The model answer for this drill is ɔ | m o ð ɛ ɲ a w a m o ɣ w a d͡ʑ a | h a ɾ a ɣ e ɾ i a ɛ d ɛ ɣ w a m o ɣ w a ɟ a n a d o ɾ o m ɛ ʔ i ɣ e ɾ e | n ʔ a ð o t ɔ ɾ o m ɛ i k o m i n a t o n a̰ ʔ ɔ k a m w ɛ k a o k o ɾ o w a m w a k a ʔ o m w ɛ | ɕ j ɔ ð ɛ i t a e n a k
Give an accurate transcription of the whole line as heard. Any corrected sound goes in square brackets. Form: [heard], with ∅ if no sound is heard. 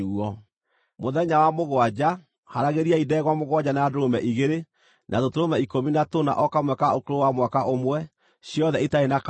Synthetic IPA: ɔ | m o ð ɛ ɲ a w a m o ɣ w a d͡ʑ a | h a ɾ a ɣ e ɾ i a [i] d ɛ ɣ w a m o ɣ w a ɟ a n a d o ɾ o m ɛ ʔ i ɣ e ɾ e | n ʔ a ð o t [o] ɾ o m ɛ i k o m i n a t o n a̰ ʔ ɔ k a m w ɛ k a o k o ɾ o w a m w a k a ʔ o m w ɛ | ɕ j ɔ ð ɛ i t a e n a k